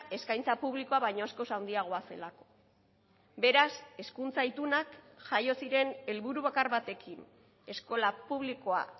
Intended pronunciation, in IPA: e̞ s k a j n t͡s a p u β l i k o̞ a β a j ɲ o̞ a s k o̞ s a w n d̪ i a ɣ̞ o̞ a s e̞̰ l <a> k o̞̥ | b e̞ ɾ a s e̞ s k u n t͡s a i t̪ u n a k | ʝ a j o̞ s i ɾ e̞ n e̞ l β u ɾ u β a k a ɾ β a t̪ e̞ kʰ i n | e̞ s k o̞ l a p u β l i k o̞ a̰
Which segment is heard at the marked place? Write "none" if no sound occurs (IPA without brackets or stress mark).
a